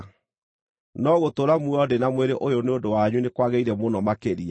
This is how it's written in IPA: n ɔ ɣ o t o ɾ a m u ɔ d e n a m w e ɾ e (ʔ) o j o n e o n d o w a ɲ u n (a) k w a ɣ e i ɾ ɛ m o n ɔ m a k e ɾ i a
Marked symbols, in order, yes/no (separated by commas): yes, no